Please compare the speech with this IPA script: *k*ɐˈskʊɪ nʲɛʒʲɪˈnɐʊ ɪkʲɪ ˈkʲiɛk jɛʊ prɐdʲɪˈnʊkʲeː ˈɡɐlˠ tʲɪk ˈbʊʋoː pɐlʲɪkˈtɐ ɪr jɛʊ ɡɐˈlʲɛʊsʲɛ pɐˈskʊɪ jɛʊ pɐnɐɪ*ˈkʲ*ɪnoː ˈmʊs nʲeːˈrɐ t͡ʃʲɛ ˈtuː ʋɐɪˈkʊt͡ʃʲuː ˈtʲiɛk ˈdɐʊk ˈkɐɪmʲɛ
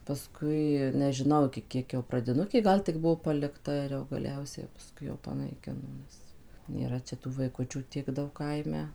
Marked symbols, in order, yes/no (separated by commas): no, yes